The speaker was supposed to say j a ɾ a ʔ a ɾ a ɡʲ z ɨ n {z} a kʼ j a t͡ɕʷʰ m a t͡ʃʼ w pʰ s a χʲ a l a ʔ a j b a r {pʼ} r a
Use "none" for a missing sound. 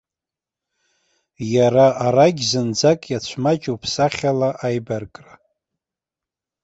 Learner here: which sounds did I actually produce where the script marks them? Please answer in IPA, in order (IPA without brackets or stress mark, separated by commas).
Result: d͡z, kʼ